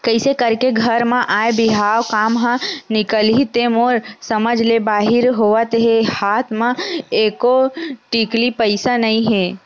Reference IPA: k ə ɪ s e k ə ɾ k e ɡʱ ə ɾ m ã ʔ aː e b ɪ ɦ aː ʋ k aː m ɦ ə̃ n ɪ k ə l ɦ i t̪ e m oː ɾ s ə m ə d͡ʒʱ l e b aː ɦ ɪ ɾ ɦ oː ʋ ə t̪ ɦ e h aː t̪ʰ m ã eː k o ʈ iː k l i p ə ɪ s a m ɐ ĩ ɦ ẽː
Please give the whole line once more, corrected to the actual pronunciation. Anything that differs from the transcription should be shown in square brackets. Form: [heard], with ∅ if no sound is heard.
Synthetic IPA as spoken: k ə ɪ s e k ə ɾ k e ɡʱ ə ɾ m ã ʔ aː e b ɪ ɦ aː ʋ k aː m ɦ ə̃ n ɪ k ə l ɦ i t̪ e m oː ɾ s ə m ə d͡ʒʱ l e b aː ɦ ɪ ɾ ɦ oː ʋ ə t̪ ɦ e h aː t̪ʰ m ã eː k o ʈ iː k l i p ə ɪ s a [n] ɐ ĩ ɦ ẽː